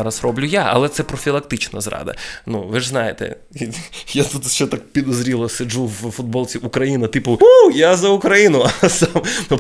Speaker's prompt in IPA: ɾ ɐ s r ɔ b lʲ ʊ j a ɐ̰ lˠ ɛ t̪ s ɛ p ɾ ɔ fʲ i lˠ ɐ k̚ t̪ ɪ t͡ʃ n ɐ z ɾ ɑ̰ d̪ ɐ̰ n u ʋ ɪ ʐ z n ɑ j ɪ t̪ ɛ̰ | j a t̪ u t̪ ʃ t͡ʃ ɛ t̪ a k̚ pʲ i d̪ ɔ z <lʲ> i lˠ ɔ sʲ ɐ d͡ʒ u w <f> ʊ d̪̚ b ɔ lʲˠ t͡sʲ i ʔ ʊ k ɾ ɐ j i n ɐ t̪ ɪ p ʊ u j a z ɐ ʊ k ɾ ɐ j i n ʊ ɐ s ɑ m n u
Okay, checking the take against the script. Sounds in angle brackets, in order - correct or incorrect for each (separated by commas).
incorrect, correct